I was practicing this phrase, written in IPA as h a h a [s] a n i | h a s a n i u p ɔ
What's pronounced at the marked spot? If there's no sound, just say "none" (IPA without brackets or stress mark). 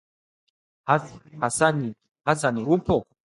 s